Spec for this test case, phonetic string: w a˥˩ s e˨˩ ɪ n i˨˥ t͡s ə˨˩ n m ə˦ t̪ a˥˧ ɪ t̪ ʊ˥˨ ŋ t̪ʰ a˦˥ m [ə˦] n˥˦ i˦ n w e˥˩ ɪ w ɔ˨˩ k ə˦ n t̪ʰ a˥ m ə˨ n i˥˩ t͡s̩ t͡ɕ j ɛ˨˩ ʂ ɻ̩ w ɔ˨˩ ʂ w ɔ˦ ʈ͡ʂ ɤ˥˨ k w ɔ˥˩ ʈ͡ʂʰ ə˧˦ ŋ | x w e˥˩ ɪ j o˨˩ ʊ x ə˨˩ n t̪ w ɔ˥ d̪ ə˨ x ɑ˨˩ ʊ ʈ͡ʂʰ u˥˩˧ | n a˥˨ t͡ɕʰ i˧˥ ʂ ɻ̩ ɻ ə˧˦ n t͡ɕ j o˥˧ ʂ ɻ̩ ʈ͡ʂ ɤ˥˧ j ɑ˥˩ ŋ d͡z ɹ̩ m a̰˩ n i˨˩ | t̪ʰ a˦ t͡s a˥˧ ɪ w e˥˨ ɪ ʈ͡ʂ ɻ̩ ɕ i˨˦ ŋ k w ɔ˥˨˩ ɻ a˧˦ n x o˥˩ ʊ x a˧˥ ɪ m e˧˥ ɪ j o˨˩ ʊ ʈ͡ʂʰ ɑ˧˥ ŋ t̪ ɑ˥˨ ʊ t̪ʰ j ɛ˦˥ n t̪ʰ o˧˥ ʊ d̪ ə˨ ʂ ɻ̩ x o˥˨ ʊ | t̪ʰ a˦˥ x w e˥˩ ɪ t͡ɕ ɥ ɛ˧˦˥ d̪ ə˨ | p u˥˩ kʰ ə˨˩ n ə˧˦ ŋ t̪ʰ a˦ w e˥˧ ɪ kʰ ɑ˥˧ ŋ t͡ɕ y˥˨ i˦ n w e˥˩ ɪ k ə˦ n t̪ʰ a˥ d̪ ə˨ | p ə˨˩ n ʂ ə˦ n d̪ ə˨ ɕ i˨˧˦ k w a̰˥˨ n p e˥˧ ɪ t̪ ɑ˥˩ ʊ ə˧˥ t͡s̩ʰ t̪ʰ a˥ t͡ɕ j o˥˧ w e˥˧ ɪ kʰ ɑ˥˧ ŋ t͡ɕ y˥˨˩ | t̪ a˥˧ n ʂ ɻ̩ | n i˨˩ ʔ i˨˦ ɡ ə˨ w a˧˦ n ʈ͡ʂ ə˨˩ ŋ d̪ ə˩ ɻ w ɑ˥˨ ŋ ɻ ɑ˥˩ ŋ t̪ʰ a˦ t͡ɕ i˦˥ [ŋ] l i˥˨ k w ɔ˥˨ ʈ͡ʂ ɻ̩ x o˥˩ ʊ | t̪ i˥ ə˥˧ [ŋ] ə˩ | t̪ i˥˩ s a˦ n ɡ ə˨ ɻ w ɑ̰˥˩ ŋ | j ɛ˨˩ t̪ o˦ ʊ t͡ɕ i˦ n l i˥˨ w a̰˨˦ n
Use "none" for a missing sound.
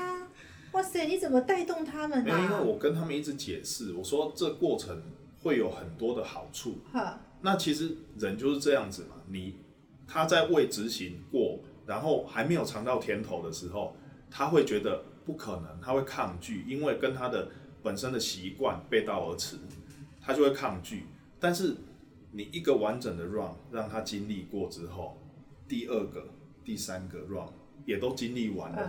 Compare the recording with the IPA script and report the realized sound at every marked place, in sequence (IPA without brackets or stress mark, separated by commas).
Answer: ə˨, n, ɡ